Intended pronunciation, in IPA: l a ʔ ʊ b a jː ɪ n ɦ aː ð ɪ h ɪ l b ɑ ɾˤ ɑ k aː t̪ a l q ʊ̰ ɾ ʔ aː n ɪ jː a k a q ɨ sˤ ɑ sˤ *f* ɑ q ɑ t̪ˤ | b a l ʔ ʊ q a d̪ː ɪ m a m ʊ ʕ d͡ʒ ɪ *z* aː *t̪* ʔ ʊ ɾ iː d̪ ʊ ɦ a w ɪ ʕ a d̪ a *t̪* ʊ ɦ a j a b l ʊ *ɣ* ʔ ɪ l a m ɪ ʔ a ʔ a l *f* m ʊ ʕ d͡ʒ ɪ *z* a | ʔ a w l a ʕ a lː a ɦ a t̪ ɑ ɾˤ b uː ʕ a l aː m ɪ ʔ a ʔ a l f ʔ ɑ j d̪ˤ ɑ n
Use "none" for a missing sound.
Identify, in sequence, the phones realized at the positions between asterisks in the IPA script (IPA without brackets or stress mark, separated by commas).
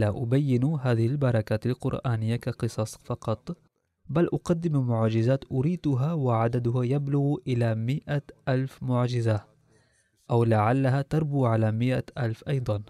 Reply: f, z, t̪, d̪, ɣ, f, z